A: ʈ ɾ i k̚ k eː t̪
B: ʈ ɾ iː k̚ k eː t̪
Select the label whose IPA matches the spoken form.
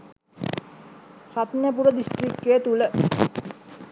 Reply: A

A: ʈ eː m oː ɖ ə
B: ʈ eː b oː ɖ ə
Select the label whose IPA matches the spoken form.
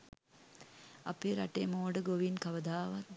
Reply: A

